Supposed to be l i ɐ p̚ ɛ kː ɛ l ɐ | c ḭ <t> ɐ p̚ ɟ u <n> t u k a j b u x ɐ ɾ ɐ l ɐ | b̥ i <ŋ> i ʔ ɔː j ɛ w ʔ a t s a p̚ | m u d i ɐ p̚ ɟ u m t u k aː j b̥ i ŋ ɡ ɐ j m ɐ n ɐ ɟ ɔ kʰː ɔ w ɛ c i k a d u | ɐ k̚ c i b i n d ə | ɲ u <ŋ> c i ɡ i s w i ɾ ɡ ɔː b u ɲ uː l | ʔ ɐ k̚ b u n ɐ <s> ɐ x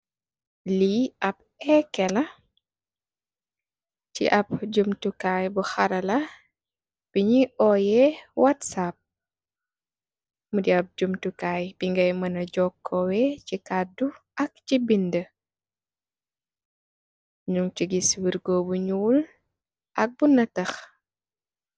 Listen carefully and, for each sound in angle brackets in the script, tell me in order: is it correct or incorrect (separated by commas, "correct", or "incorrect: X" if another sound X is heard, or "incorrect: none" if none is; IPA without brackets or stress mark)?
incorrect: ʔ, incorrect: m, incorrect: ɲ, correct, incorrect: t